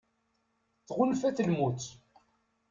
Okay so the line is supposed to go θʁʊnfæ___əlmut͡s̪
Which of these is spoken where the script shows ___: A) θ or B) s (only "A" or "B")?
A